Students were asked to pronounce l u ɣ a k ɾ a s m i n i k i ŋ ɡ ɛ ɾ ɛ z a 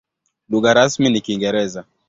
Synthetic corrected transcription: l u ɣ a ɾ a s m i n i k i ŋ ɡ ɛ ɾ ɛ z a